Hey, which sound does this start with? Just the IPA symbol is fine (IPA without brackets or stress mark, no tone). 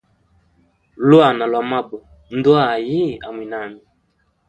l